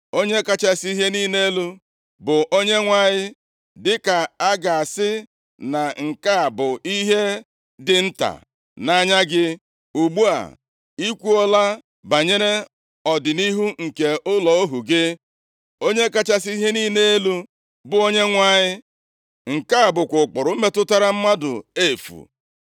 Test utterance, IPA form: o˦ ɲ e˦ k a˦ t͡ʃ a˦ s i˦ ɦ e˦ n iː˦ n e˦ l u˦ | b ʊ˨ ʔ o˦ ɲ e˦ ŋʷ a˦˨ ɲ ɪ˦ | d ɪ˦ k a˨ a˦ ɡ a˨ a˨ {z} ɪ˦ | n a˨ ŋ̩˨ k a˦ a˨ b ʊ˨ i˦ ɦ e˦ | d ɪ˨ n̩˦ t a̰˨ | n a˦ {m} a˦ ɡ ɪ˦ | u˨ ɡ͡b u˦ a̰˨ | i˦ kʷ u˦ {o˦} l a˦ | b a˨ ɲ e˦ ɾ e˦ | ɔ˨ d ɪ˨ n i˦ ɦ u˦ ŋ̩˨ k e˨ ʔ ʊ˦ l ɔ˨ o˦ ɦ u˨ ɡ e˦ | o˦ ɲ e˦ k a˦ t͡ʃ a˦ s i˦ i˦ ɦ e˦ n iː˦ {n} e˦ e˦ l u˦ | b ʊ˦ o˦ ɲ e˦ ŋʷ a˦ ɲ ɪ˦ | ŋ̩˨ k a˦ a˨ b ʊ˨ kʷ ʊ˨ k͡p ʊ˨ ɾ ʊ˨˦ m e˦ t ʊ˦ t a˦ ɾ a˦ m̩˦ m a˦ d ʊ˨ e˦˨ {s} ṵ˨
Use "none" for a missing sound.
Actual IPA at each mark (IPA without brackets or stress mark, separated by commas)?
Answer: s, ɲ, ɔ˦, n, f